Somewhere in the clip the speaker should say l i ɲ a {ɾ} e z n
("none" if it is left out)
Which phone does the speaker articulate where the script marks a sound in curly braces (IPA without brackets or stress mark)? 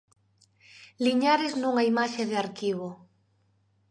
ɾ